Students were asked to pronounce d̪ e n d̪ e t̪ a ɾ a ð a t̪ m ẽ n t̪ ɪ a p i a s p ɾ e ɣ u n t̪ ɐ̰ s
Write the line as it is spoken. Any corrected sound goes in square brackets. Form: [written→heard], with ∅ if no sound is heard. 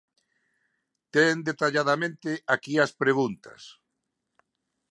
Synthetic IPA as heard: [d̪→t̪] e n d̪ e t̪ a [ɾ→ʎ] a ð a [t̪→∅] m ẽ n t̪ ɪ a [p→k] i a s p ɾ e ɣ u n t̪ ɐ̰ s

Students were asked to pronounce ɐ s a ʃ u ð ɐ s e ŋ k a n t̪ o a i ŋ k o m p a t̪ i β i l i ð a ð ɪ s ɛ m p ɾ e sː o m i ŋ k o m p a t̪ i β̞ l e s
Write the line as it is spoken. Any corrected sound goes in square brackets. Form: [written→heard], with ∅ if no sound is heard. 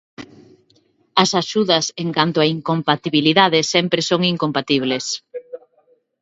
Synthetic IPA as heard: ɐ s a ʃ u ð ɐ s e ŋ k a n t̪ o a i ŋ k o m p a t̪ i β i l i ð a ð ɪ s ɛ m p ɾ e [sː→s] o [m→ŋ] i ŋ k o m p a t̪ i β̞ l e s

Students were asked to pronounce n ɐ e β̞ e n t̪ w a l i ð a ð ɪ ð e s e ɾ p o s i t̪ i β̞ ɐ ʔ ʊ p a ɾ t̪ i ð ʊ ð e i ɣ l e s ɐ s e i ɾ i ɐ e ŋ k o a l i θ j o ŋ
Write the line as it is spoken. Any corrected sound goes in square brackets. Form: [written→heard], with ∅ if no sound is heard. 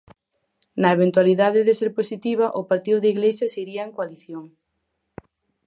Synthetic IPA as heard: n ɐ e β̞ e n t̪ w a l i ð a ð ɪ ð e s e ɾ p o s i t̪ i β̞ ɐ ʔ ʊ p a ɾ t̪ i ð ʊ ð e i ɣ l e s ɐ s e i ɾ i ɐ e ŋ k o a l i θ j o ŋ

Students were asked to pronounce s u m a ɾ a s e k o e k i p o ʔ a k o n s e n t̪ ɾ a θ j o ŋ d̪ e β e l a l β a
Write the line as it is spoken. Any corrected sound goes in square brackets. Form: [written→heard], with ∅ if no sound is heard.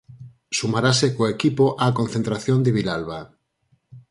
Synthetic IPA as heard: s u m a ɾ a s e k o e k i p o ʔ a k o n [s→θ] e n t̪ ɾ a θ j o [ŋ→n] d̪ e β [e→i] l a l β a

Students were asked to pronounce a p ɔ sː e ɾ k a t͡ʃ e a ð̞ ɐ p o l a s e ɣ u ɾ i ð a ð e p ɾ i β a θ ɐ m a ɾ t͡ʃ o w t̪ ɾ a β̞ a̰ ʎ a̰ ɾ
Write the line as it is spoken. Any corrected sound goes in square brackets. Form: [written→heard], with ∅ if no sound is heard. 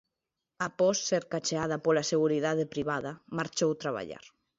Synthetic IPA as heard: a p ɔ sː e ɾ k a t͡ʃ e a ð̞ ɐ p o l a s e ɣ u ɾ i ð a ð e p ɾ i β a [θ→ð] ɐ m a ɾ t͡ʃ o w t̪ ɾ a β̞ a̰ ʎ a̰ ɾ

